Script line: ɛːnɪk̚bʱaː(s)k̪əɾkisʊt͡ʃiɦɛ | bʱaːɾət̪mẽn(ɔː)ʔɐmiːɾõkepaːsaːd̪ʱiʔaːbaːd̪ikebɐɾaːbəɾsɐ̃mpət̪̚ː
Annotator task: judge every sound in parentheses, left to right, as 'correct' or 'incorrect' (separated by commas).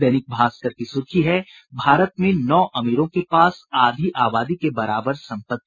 correct, correct